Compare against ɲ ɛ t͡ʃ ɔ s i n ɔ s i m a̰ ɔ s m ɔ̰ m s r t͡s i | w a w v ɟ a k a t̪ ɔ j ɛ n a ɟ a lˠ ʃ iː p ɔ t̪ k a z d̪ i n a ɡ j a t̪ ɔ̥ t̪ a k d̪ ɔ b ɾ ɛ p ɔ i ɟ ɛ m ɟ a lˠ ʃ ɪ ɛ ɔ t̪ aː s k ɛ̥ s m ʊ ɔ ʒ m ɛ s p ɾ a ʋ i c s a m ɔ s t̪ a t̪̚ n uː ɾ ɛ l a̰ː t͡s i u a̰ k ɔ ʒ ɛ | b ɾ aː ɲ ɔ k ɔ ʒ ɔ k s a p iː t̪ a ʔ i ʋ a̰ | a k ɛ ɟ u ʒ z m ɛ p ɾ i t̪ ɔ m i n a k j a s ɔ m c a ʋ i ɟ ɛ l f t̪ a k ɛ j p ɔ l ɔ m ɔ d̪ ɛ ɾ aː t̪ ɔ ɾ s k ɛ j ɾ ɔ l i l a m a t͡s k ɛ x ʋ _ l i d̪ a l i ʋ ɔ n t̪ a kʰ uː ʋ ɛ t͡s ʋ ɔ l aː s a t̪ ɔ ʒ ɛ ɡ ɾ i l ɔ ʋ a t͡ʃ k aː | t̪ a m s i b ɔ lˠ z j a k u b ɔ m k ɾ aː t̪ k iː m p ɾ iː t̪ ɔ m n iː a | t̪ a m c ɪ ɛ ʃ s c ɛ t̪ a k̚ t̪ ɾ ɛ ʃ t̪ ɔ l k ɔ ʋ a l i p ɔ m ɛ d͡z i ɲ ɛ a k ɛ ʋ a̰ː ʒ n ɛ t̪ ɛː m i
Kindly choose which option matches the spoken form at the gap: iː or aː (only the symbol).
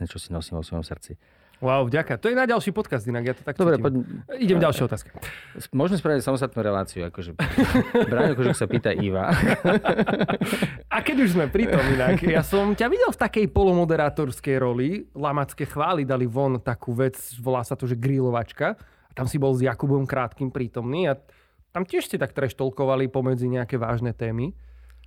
aː